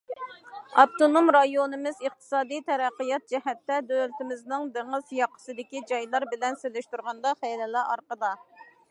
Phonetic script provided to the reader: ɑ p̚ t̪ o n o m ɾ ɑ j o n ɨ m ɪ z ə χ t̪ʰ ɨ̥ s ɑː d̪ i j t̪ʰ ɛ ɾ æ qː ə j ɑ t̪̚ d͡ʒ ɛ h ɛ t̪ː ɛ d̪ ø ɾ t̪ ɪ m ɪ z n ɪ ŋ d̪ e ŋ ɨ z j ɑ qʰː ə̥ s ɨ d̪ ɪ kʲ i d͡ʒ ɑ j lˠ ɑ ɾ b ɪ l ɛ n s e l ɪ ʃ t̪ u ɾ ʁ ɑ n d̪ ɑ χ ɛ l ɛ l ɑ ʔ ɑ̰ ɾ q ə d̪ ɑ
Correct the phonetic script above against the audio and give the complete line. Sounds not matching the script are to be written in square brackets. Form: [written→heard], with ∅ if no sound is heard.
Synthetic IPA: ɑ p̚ t̪ o n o m ɾ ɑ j o n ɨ m ɪ z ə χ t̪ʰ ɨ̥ s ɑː d̪ i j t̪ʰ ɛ ɾ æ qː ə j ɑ t̪̚ d͡ʒ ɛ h ɛ t̪ː ɛ d̪ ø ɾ t̪ ɪ m ɪ z n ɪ ŋ d̪ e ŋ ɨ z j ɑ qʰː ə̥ s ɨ d̪ ɪ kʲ i d͡ʒ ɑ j lˠ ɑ ɾ b ɪ l ɛ n s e l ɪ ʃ t̪ u ɾ ʁ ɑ n d̪ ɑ χ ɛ l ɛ l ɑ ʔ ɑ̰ ɾ q ə d̪ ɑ